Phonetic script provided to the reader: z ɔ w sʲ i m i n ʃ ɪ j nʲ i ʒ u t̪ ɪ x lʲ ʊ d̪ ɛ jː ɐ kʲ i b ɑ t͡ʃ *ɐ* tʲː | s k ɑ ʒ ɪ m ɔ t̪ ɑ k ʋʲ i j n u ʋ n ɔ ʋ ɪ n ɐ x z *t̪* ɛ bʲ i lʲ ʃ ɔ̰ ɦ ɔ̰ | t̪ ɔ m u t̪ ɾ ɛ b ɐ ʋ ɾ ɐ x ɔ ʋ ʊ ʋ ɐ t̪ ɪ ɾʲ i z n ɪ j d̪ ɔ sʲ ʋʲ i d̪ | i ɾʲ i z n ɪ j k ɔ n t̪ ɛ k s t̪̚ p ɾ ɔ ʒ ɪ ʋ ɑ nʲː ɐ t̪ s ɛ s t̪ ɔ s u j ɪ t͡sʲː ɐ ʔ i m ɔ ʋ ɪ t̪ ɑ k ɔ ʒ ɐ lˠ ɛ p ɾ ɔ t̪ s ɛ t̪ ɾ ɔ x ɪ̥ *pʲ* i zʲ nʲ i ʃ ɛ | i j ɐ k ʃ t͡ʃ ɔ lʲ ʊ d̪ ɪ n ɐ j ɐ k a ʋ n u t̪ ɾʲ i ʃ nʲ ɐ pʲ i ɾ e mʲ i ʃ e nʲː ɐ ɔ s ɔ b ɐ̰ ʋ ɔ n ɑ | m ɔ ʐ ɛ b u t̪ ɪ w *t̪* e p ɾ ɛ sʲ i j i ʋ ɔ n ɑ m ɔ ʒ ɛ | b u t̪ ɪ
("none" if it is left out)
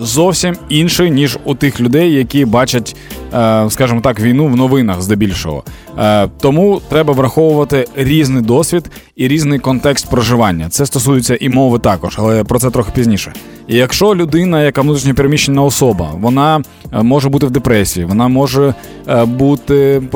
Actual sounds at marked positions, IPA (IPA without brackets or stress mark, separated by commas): ɐ, d̪, pʲ, d̪